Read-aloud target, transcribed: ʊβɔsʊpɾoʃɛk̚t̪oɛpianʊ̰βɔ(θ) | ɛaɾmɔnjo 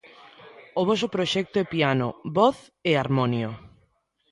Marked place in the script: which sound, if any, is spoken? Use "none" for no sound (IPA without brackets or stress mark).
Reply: θ